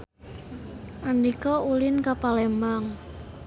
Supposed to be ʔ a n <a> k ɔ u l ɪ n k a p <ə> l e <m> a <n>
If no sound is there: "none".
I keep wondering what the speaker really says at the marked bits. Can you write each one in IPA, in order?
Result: i, a, m, ŋ

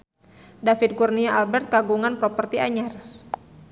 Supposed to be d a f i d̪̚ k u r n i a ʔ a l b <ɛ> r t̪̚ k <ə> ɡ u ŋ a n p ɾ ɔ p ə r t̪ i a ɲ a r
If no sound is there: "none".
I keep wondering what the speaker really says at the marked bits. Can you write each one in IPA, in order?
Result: ɛ, a

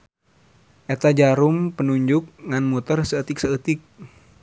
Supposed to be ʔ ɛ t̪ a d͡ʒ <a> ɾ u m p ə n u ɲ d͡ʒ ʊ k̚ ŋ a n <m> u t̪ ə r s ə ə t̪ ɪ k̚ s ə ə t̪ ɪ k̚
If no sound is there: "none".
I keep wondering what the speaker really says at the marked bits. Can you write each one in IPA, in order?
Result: a, m

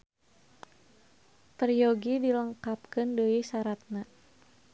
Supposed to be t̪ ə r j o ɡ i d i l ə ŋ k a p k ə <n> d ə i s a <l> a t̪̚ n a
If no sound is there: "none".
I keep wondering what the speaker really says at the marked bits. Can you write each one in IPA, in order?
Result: n, ɾ

